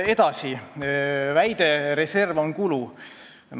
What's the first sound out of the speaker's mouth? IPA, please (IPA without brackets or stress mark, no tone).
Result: e̞